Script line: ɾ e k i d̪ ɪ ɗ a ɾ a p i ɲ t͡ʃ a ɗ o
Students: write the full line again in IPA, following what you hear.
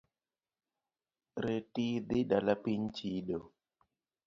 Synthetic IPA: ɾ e t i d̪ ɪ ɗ a l a p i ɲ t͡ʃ i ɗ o

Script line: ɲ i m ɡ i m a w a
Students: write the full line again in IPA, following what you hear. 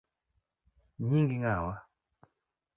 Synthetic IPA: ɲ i ŋ ɡ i ŋ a w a

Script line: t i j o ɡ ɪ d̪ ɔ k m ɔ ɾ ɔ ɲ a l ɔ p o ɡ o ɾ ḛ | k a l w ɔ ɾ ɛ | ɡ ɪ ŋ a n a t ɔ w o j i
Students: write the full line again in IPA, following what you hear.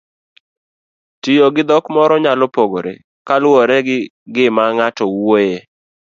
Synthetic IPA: t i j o ɡ ɪ d̪ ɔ k m ɔ ɾ ɔ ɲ a l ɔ p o ɡ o ɾ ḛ | k a l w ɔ ɾ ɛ | ɡ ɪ m a ŋ a t ɔ w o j e

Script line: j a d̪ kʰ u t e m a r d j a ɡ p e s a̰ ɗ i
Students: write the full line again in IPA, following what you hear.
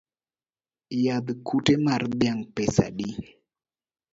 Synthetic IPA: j a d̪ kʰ u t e m a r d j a ŋ p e s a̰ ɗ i

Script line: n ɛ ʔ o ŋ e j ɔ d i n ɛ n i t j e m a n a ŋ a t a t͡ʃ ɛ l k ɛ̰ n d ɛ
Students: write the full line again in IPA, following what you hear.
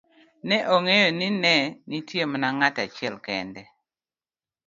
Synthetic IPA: n ɛ ʔ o ŋ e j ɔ n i n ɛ n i t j e m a n a ŋ a t a t͡ʃ ɛ l k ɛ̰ n d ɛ

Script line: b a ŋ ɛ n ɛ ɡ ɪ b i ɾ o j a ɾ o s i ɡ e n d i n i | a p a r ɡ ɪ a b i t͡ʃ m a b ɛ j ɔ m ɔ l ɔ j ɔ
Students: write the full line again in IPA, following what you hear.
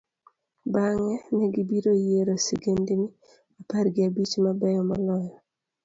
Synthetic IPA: b a ŋ ɛ n ɛ ɡ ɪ b i ɾ o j e ɾ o s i ɡ e n d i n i | a p a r ɡ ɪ a b i t͡ʃ m a b ɛ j ɔ m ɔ l ɔ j ɔ

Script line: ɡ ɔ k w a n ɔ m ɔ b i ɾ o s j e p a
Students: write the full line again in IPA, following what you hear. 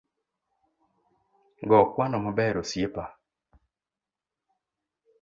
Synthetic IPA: ɡ ɔ k w a n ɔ m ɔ b ɛ ɾ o s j e p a

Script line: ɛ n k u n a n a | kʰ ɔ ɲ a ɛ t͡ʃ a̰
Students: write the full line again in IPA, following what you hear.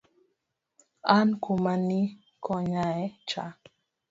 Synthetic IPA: a n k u m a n i | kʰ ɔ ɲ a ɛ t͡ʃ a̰

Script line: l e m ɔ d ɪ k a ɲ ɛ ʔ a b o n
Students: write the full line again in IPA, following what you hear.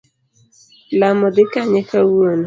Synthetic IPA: l a m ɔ d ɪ k a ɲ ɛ k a w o n

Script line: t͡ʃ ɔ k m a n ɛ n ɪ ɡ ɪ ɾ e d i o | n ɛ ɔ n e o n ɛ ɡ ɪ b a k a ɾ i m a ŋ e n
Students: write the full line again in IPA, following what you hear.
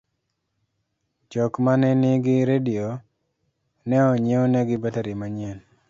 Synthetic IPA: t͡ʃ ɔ k m a n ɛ n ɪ ɡ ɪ ɾ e d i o | n ɛ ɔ ɲ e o n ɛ ɡ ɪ b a t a ɾ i m a ɲ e n

